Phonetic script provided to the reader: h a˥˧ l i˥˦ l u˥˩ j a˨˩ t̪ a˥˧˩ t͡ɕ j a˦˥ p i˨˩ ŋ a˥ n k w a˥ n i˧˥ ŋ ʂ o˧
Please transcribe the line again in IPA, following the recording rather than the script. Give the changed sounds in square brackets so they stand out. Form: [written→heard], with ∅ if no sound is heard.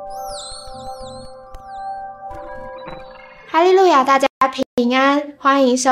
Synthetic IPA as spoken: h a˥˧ l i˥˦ l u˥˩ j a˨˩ t̪ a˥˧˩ t͡ɕ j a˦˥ [p→pʰ] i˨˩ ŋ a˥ n [k→x] w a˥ n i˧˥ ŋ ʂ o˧